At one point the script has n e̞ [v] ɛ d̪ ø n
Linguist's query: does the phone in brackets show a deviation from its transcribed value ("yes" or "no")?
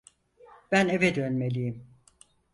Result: no